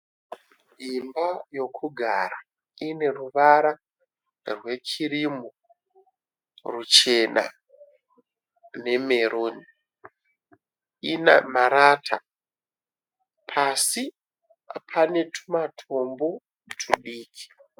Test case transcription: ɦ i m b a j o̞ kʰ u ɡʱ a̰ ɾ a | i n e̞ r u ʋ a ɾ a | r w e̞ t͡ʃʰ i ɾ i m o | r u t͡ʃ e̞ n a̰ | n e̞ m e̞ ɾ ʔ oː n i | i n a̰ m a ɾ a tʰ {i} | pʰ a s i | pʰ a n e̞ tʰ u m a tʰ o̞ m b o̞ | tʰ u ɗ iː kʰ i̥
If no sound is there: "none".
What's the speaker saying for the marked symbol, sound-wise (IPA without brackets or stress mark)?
a